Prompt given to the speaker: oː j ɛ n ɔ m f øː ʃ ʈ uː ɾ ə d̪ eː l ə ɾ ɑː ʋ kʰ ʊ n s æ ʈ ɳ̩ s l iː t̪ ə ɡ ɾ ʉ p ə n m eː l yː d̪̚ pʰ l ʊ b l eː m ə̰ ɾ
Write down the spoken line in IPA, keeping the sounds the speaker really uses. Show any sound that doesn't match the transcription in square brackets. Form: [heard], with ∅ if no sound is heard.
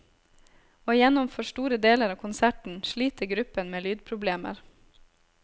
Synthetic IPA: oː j ɛ n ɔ m f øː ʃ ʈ uː ɾ ə d̪ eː l ə ɾ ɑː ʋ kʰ ʊ n s æ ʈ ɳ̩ [ʃ] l iː t̪ ə ɡ ɾ ʉ p ə n m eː l yː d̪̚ pʰ [ɾ] ʊ b l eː m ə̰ ɾ